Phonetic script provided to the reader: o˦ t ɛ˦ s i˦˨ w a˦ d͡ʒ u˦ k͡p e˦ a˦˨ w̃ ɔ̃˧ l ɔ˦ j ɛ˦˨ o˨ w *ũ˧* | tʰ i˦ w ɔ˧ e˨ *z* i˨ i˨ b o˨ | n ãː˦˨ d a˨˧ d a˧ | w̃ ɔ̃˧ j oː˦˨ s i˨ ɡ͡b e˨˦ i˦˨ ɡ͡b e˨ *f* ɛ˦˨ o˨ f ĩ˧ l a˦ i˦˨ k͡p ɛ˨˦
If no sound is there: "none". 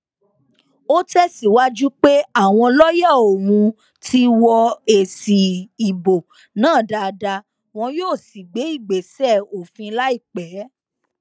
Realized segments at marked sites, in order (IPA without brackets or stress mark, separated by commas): ũ˧, s, s